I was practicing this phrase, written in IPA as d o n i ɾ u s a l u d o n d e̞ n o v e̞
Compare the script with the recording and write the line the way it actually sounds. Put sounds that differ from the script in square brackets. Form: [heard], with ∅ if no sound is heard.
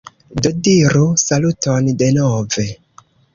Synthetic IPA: d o [d] i ɾ u s a l u [t] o n d e̞ n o v e̞